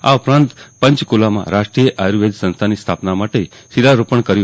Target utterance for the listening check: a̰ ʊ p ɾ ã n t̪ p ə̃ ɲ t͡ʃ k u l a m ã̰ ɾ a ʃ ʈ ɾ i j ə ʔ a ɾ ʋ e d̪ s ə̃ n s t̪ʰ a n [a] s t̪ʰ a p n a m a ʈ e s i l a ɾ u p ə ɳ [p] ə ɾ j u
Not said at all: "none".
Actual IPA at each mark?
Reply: i, k

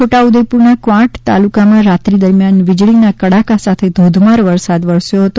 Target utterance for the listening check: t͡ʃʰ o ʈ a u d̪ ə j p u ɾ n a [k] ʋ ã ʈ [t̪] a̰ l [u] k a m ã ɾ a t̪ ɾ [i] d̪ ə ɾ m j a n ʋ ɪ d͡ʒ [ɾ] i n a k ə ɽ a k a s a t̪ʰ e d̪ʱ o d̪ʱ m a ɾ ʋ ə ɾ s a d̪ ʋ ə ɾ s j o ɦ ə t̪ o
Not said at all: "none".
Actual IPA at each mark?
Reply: k, t̪, u, i, ɭ

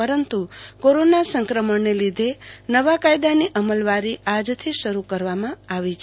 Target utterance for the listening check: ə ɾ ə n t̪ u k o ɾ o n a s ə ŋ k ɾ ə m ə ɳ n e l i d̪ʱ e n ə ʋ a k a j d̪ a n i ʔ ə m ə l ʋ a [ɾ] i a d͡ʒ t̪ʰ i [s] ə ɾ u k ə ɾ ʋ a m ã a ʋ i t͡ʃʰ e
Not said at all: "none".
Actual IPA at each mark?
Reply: ɾ, ʃ

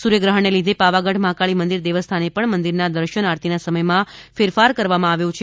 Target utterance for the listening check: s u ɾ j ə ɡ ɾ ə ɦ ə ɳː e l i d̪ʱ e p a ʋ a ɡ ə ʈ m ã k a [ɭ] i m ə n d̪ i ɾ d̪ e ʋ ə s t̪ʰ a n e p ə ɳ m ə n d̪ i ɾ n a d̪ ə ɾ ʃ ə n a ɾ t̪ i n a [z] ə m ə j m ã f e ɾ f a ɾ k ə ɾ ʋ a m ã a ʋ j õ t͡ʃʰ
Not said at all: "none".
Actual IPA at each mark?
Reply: ɭ, s

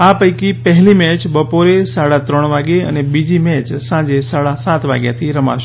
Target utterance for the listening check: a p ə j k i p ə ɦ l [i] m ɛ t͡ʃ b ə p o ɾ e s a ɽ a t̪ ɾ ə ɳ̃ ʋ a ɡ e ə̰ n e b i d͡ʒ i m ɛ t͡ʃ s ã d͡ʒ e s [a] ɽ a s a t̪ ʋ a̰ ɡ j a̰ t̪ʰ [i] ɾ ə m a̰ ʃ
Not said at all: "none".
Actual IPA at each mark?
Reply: i, a, i

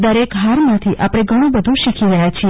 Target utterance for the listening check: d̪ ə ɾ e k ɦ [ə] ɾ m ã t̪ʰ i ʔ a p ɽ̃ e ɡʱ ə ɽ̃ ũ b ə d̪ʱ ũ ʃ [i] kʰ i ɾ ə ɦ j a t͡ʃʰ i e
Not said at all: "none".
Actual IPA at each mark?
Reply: a, i

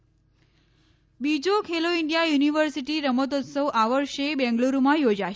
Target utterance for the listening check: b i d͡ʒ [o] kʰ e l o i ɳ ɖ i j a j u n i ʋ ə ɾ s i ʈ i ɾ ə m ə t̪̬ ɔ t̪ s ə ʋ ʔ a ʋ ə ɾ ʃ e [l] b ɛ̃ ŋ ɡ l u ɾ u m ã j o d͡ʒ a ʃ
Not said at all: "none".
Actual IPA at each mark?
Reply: o, none

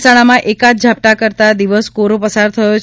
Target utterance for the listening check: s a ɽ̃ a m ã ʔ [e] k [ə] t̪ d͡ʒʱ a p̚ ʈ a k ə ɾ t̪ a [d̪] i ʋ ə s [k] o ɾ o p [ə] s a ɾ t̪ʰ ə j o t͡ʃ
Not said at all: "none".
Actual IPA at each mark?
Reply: e, a, d̪, k, ə

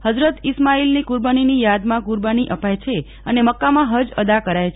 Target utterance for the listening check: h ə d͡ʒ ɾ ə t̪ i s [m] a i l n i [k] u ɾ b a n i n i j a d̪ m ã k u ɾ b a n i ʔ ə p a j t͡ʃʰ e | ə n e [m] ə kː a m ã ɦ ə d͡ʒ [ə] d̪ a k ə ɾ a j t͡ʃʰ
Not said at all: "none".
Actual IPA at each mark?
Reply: m, k, m, ə

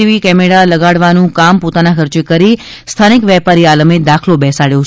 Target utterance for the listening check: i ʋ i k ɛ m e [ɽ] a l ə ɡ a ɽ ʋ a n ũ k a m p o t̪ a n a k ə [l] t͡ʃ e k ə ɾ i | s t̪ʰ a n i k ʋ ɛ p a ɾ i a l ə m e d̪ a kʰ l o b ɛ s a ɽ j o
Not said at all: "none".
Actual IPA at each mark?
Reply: ɽ, ɾ

